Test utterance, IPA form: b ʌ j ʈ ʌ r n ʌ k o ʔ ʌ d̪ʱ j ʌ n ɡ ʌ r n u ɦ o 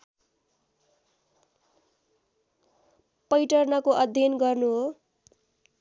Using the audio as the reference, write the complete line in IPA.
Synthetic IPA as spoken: p ʌ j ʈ ʌ r n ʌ k o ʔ ʌ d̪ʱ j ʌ n ɡ ʌ r n u ɦ o